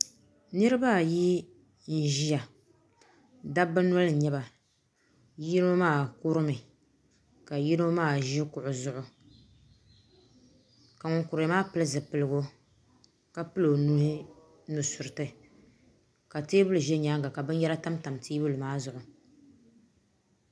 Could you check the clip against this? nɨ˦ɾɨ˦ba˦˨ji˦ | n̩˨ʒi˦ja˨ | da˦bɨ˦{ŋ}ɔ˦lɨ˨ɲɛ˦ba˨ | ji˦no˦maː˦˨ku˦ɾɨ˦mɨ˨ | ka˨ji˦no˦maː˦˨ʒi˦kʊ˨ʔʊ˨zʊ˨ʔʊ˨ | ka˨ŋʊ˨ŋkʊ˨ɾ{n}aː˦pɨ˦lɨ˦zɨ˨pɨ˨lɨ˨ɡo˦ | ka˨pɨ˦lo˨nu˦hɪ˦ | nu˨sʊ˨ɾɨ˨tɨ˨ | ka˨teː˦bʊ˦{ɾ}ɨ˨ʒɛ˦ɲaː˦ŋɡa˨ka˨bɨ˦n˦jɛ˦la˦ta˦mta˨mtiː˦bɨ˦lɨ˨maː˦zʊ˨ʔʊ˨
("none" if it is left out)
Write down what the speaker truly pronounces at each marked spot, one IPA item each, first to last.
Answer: n, m, l

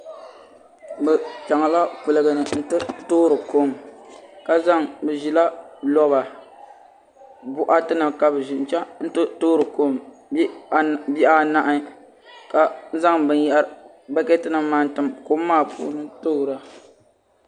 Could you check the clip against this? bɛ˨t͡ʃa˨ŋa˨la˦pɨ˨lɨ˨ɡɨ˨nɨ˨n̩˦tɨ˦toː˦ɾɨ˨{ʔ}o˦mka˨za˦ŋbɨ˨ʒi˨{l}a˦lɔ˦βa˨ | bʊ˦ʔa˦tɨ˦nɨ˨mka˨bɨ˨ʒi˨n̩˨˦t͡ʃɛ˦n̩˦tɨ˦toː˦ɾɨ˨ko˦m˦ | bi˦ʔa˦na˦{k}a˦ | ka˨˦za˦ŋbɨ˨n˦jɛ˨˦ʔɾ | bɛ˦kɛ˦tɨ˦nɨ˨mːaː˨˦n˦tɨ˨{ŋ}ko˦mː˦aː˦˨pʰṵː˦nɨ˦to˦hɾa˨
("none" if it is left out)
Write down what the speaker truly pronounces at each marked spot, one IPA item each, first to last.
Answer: k, l, ʔ, m

